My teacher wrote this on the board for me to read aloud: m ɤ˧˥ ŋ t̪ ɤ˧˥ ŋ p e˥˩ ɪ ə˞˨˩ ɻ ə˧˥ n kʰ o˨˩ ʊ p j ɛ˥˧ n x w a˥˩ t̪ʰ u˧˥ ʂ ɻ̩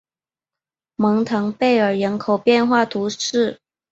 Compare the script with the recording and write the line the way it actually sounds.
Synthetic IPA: m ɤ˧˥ ŋ t̪ʰ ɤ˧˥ ŋ p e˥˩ ɪ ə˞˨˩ ɻ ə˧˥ n kʰ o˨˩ ʊ p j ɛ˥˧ n x w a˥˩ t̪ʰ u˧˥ ʂ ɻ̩